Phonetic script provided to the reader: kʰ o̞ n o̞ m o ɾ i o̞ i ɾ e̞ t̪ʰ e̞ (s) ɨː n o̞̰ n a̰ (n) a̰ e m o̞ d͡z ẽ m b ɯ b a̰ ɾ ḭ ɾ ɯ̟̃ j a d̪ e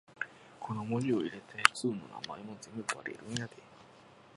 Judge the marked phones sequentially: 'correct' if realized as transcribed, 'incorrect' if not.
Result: incorrect: t͡s, incorrect: m

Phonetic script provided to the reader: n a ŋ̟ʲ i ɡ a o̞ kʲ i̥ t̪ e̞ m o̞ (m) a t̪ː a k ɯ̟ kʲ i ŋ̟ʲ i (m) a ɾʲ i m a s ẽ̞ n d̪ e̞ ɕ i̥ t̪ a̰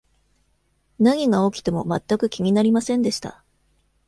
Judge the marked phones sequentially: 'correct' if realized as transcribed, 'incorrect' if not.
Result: correct, incorrect: n

